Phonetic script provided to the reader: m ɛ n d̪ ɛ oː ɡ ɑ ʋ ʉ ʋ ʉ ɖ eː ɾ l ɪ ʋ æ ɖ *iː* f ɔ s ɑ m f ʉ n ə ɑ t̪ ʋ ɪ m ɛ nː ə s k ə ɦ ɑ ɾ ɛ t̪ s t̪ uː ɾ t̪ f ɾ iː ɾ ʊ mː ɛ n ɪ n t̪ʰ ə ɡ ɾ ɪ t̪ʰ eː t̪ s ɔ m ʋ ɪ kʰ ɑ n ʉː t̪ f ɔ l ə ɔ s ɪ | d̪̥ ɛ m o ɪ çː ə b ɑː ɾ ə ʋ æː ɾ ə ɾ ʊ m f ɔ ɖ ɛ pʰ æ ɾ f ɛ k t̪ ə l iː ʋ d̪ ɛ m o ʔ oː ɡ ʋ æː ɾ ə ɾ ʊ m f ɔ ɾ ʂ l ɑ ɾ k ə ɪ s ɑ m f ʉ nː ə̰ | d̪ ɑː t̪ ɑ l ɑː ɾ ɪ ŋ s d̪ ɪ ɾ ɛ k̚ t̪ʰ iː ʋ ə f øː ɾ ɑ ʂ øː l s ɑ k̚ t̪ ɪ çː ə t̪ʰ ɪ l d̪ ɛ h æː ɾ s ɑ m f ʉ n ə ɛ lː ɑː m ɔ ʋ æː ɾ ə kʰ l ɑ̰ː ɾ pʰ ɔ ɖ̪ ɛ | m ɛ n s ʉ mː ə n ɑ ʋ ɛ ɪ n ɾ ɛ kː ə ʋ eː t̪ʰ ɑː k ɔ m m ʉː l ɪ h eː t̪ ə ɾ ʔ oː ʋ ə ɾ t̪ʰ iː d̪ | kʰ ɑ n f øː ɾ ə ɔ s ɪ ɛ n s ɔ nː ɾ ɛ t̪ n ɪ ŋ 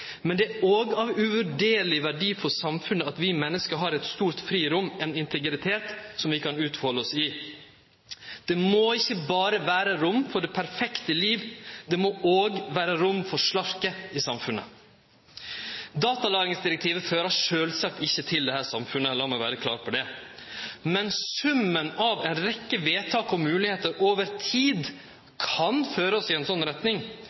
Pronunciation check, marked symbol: correct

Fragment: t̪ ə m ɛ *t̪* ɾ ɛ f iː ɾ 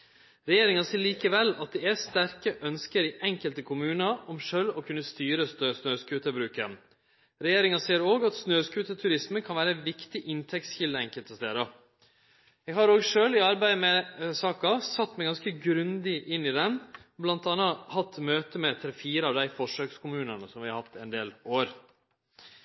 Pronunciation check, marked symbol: incorrect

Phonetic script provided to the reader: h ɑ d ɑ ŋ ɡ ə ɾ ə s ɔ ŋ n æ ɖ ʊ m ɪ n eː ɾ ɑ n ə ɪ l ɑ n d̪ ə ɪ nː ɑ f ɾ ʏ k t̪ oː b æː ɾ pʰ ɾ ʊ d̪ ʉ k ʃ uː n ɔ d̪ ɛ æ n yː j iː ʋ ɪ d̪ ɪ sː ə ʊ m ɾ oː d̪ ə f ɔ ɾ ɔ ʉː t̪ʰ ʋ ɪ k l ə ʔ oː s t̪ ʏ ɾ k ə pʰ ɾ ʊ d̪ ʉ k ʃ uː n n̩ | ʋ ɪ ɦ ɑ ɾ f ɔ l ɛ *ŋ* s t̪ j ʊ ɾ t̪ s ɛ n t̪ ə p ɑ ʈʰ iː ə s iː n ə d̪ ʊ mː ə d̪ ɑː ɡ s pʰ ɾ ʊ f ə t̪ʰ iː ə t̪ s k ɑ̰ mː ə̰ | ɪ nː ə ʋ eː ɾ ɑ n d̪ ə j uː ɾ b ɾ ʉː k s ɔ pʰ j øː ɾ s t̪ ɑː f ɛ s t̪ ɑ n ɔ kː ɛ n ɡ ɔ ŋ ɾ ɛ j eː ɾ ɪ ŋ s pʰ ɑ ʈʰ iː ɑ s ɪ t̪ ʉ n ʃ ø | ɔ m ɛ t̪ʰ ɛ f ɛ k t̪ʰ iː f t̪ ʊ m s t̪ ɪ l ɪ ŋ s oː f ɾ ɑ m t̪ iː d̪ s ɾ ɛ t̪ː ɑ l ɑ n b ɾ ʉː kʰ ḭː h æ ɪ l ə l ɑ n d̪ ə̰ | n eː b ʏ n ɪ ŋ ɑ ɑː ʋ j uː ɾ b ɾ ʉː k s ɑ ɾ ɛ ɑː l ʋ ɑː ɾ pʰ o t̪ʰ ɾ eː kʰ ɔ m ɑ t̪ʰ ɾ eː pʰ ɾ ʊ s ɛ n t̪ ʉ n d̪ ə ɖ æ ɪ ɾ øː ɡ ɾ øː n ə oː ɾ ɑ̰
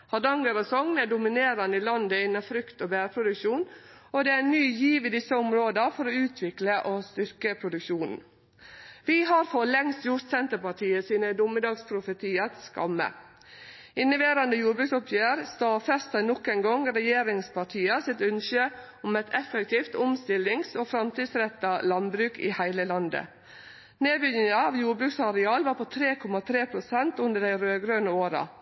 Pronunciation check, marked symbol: correct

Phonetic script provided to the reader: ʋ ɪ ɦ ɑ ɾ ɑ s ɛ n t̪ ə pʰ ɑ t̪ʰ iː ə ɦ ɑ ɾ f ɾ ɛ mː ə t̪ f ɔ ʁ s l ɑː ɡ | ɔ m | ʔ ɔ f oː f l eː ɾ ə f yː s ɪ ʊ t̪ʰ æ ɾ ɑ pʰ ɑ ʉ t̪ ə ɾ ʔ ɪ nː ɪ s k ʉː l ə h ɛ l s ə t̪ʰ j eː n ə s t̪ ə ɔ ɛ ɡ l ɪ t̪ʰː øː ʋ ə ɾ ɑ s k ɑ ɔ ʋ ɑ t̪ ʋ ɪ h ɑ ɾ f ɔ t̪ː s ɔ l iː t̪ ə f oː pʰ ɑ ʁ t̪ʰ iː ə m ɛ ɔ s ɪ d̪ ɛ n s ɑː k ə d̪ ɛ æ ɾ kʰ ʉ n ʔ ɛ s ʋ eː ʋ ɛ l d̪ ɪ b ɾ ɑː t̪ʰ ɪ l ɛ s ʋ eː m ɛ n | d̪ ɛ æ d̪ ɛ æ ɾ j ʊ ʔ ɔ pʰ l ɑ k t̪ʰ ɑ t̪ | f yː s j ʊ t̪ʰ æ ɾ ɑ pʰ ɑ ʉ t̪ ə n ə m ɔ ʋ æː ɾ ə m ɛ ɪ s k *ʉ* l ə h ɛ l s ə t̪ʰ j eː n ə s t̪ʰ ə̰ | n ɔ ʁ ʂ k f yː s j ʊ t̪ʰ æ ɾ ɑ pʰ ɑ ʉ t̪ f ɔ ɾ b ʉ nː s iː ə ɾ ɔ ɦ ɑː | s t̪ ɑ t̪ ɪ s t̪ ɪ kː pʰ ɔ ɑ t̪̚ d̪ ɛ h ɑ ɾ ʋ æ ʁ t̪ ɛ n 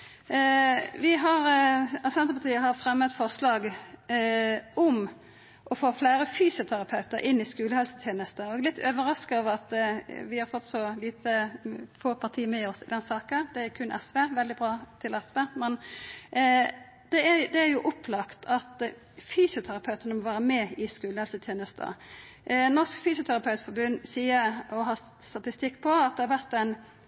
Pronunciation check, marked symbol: incorrect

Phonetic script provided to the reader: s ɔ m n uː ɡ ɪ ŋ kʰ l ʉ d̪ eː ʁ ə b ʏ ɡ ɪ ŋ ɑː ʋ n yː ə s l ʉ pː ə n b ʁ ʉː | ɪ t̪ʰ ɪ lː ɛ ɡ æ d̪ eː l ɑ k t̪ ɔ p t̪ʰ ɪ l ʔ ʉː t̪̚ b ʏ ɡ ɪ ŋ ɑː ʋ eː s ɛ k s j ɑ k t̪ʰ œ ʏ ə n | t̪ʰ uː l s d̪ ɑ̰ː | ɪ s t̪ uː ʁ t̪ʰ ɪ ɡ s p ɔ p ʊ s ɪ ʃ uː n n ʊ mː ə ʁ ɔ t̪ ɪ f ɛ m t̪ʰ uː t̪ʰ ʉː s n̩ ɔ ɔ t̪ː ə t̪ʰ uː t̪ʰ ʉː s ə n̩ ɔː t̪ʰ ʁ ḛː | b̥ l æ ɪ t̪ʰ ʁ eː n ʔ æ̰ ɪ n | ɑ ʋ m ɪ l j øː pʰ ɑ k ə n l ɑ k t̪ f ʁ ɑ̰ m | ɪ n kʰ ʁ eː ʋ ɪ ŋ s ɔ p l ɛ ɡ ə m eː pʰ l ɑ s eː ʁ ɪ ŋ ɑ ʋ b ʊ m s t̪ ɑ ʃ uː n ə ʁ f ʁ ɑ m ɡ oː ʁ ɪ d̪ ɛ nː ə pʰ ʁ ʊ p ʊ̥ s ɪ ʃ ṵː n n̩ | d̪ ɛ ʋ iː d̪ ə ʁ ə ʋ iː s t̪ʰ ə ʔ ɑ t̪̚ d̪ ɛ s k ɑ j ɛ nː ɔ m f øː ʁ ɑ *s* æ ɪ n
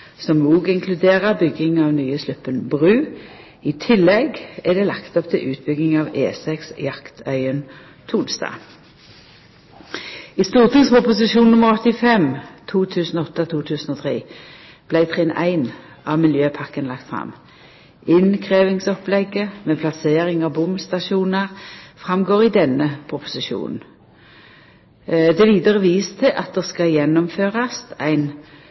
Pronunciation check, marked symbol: correct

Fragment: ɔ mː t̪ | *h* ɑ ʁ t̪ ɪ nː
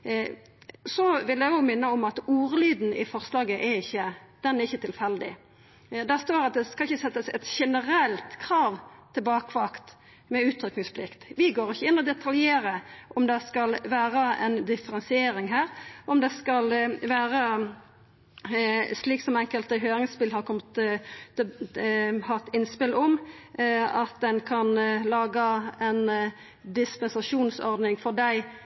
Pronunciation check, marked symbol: correct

